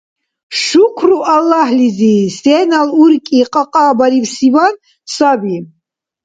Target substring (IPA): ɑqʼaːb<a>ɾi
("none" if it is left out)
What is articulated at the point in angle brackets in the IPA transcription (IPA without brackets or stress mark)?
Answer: a